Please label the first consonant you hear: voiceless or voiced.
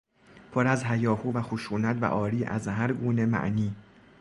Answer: voiceless